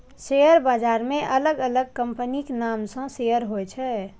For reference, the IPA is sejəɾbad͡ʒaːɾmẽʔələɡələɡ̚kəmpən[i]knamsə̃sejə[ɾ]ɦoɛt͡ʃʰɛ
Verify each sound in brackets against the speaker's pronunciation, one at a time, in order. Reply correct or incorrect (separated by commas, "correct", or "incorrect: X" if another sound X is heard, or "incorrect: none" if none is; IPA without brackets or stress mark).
correct, correct